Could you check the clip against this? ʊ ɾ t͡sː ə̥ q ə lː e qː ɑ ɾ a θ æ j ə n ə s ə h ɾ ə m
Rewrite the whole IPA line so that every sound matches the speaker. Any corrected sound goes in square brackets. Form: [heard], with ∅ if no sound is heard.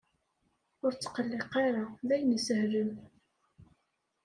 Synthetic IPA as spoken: ʊ ɾ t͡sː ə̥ q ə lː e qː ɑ ɾ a [ð] æ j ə n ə s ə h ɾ ə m